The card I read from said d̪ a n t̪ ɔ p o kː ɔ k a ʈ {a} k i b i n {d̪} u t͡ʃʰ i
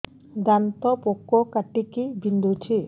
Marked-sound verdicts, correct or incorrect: incorrect, correct

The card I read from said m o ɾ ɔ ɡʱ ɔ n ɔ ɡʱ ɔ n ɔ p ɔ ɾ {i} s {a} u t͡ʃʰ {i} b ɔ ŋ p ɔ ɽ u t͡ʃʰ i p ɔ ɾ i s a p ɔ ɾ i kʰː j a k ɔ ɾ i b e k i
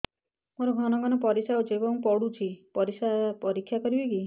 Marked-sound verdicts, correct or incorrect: correct, correct, incorrect

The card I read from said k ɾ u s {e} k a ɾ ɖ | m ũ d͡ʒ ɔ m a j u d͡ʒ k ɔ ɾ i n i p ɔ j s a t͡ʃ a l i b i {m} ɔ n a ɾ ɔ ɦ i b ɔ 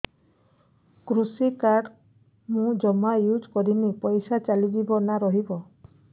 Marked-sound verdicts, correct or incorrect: incorrect, incorrect

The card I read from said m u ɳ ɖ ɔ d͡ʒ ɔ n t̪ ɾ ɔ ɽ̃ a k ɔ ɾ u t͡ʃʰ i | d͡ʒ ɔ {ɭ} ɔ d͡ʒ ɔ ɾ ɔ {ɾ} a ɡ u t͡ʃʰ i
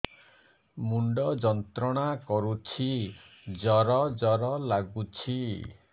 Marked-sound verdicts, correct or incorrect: incorrect, incorrect

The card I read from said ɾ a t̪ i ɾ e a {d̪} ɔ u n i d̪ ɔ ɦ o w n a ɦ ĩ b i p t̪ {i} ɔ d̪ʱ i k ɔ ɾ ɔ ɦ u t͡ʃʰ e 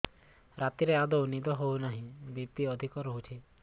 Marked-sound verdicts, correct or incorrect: correct, correct

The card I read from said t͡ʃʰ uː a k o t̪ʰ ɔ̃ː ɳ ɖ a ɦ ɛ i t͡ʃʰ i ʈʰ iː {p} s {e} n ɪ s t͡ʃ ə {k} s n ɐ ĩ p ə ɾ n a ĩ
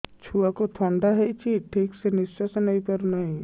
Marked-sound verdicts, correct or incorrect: incorrect, correct, incorrect

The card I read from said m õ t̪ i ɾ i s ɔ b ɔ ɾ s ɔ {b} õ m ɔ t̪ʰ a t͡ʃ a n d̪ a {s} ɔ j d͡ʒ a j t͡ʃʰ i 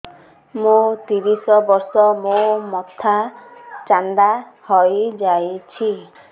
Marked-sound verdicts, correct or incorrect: incorrect, incorrect

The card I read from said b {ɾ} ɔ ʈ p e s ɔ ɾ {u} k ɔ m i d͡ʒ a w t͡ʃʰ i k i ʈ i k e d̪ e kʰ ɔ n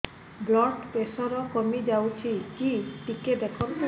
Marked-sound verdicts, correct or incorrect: incorrect, incorrect

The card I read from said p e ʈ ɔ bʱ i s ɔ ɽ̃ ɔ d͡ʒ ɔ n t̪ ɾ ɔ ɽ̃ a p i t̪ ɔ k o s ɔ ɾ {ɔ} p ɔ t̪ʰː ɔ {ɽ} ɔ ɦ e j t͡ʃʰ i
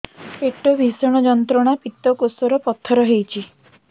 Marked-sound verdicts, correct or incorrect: correct, incorrect

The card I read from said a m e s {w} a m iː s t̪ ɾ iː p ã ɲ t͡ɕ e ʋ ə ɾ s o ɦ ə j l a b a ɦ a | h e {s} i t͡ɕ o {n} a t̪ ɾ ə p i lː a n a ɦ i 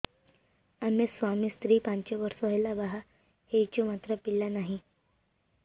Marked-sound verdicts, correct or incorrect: incorrect, incorrect, incorrect

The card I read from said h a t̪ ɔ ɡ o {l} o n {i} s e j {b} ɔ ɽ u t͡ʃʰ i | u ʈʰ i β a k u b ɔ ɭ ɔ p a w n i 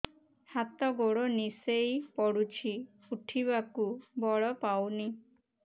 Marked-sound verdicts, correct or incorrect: incorrect, correct, incorrect

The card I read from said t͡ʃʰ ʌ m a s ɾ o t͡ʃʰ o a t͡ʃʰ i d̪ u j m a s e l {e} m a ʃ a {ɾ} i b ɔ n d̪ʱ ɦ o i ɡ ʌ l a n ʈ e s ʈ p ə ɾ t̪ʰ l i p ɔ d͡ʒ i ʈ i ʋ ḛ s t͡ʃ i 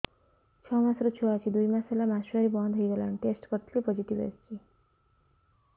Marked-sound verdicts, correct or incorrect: incorrect, correct

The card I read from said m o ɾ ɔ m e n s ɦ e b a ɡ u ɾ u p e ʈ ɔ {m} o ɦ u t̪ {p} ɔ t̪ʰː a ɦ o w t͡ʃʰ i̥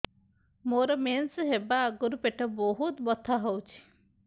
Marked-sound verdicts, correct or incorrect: incorrect, incorrect

